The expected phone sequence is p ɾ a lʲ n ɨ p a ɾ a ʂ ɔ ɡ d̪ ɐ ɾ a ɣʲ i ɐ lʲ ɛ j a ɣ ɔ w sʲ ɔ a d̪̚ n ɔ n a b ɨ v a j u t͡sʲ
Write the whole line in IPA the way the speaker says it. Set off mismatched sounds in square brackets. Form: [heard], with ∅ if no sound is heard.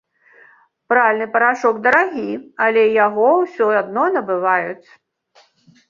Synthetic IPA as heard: p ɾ a lʲ n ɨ p [ɐ] ɾ a ʂ ɔ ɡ d̪ ɐ ɾ a ɣʲ i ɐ lʲ ɛ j a ɣ ɔ w sʲ ɔ a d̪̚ n ɔ n [ɐ] b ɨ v a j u t͡sʲ